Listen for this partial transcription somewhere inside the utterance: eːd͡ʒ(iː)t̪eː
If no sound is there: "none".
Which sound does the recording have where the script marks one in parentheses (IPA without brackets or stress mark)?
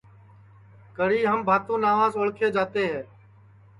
aː